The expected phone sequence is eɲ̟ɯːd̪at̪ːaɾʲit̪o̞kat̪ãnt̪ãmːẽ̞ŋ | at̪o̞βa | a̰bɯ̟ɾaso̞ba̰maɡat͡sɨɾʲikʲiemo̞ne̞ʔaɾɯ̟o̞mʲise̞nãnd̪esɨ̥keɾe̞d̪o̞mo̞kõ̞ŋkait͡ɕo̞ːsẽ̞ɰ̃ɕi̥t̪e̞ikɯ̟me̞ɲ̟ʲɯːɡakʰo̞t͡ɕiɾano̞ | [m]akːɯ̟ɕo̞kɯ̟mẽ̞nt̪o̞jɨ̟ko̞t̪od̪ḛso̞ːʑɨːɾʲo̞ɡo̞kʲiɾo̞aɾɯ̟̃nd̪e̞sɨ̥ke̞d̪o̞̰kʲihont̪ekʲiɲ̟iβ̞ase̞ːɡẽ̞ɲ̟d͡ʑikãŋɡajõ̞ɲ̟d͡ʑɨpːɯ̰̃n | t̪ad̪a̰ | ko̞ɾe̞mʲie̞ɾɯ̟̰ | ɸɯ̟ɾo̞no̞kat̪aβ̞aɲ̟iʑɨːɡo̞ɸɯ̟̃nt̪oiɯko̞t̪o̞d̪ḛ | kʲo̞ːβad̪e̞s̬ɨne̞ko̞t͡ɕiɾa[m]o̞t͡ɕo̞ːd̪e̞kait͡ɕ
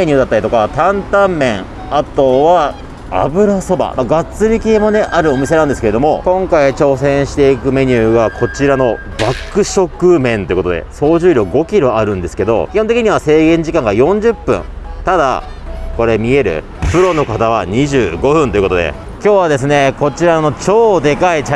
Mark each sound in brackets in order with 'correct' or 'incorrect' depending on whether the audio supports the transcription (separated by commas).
incorrect, incorrect